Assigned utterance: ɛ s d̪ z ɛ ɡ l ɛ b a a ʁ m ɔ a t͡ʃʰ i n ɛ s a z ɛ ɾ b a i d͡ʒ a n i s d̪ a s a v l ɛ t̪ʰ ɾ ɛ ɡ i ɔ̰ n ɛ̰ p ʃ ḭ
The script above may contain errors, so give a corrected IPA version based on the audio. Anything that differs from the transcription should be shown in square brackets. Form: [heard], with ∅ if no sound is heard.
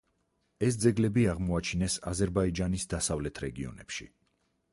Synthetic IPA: ɛ s d̪ z ɛ ɡ l ɛ b [i] a ʁ m ɔ a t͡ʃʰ i n ɛ s a z ɛ ɾ b a i d͡ʒ a n i s d̪ a s a v l ɛ t̪ʰ ɾ ɛ ɡ i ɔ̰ n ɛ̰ p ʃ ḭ